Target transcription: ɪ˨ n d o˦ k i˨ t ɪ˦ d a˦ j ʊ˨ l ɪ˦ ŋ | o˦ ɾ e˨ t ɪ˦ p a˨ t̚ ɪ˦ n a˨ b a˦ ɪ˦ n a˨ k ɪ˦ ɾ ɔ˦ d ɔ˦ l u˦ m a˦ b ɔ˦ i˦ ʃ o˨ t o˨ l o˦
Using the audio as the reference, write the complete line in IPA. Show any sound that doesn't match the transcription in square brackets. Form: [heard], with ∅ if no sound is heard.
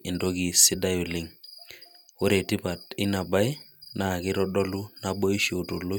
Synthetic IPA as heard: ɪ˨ n d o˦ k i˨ [s] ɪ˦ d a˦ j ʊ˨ l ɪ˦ ŋ | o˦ ɾ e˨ t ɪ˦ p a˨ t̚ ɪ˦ n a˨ b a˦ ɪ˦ n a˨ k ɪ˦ ɾ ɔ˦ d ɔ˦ l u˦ [n] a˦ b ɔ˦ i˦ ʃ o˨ t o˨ l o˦